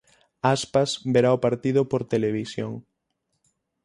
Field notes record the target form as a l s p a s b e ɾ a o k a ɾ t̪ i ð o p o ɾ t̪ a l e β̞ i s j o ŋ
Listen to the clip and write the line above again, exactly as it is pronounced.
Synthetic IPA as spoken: a s p a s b e ɾ a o p a ɾ t̪ i ð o p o ɾ t̪ e l e β̞ i s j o ŋ